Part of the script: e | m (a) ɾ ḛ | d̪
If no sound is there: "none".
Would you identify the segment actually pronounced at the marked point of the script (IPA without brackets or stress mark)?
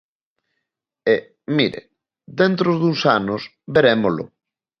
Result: i